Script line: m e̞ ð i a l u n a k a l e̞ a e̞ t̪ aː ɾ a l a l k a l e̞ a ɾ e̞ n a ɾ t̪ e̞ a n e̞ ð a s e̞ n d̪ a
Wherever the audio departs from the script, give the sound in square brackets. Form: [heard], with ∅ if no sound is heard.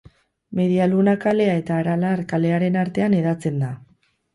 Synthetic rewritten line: m e̞ ð i a l u n a k a l e̞ a e̞ t̪ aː ɾ a l a [ɾ] k a l e̞ a ɾ e̞ n a ɾ t̪ e̞ a n e̞ ð a [t͡s] e̞ n d̪ a

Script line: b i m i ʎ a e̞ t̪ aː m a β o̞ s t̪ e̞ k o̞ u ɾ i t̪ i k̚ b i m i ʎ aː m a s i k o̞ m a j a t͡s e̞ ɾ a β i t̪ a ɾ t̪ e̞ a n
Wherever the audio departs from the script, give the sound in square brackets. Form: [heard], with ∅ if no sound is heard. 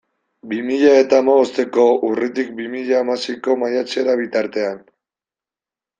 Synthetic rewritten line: b i m i ʎ a e̞ t̪ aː m a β o̞ s t̪ e̞ k o̞ u [r] i t̪ i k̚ b i m i ʎ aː m a s i k o̞ m a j a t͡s e̞ ɾ a β i t̪ a ɾ t̪ e̞ a n

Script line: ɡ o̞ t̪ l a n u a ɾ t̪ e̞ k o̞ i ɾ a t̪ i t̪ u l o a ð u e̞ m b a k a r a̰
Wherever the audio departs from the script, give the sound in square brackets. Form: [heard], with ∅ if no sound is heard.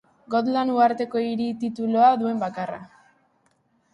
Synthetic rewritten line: ɡ o̞ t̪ l a n u a ɾ t̪ e̞ k o̞ i ɾ [i] t̪ i t̪ u l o a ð u e̞ m b a k a r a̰

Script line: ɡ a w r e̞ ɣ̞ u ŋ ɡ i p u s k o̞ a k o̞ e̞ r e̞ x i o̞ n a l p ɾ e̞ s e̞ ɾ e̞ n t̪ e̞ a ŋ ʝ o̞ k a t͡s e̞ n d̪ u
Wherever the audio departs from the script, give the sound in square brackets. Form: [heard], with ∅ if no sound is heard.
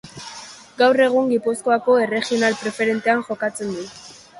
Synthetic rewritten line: ɡ a w r e̞ ɣ̞ u ŋ ɡ i p u s k o̞ a k o̞ e̞ r e̞ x i o̞ n a l p ɾ e̞ [f] e̞ ɾ e̞ n t̪ e̞ a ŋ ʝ o̞ k a t͡s e̞ n d̪ u

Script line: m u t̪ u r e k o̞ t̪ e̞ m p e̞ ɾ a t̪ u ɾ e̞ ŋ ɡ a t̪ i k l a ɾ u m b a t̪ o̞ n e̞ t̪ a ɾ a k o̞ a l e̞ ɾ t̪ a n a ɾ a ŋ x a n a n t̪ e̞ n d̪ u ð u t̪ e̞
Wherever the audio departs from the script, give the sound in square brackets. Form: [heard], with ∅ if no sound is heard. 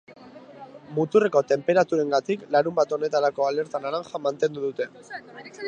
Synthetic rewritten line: m u t̪ u r e k o̞ t̪ e̞ m p e̞ ɾ a t̪ u ɾ e̞ ŋ ɡ a t̪ i k l a ɾ u m b a t̪ o̞ n e̞ t̪ a ɾ a k o̞ a l e̞ ɾ t̪ a n a ɾ a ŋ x a [m] a n t̪ e̞ n d̪ u ð u t̪ e̞

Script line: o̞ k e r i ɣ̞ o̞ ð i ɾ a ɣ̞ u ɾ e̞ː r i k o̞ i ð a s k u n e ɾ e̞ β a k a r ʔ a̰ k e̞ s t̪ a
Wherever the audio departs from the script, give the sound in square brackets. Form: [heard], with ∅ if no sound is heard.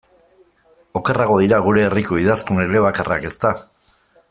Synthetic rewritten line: o̞ k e r [a] ɣ̞ o̞ ð i ɾ a ɣ̞ u ɾ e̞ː r i k o̞ i ð a s k u n e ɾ e̞ β a k a r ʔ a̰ k e̞ s t̪ a

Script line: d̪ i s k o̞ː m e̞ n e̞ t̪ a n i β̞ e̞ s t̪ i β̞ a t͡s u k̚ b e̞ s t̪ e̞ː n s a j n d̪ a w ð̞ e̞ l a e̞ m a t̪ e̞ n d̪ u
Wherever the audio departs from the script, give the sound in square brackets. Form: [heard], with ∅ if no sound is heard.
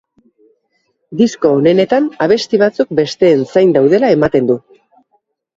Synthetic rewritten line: d̪ i s k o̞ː [n] e̞ n e̞ t̪ a n [a] β̞ e̞ s t̪ i β̞ a t͡s u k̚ b e̞ s t̪ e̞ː n s a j n d̪ a w ð̞ e̞ l a e̞ m a t̪ e̞ n d̪ u

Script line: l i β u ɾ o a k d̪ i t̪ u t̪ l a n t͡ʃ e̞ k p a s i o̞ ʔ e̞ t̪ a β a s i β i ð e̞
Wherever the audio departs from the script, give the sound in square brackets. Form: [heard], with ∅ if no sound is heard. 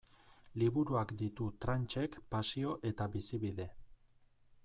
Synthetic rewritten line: l i β u ɾ [u] a k d̪ i t̪ u t̪ [ɾ] a n t͡ʃ e̞ k p a s i o̞ ʔ e̞ t̪ a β [i] s i β i ð e̞

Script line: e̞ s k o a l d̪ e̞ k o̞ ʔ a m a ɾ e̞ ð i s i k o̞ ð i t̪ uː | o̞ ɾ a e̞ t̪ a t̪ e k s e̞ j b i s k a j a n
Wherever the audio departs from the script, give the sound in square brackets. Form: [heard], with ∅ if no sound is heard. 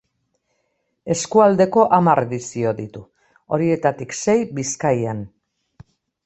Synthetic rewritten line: e̞ s k [u] a l d̪ e̞ k o̞ ʔ a m a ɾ e̞ ð i s i [∅] o̞ ð i t̪ [u] | o̞ ɾ [i] e̞ t̪ a t̪ [i] k s e̞ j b i s k a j a n

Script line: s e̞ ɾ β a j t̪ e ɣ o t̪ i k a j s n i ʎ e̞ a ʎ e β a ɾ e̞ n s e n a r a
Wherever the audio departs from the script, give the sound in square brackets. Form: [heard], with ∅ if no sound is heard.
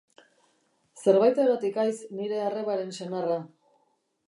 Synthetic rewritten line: s e̞ ɾ β a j t̪ e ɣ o t̪ i k a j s n i [ɾ] e̞ a [r] e β a ɾ e̞ n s e n a r a

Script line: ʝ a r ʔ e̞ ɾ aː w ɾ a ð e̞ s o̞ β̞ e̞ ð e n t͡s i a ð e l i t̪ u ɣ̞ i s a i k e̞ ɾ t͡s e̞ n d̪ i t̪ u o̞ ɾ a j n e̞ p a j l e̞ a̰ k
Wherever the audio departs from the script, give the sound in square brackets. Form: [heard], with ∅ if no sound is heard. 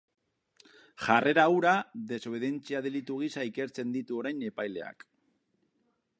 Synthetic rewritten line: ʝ a r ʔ e̞ ɾ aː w ɾ a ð e̞ s o̞ β̞ e̞ ð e n t͡s i a ð e l i t̪ u ɣ̞ i s a i k e̞ ɾ t͡s e̞ n d̪ i t̪ u o̞ ɾ a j n e̞ p a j l e̞ a̰ k

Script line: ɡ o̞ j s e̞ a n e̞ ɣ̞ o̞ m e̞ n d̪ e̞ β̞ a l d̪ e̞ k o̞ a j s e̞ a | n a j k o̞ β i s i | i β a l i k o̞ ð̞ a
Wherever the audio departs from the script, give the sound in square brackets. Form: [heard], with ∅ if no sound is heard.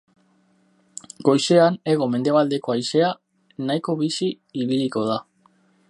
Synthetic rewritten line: ɡ o̞ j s e̞ a n e̞ ɣ̞ o̞ m e̞ n d̪ e̞ β̞ a l d̪ e̞ k o̞ a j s e̞ a | n a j k o̞ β i s i | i β [i] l i k o̞ ð̞ a

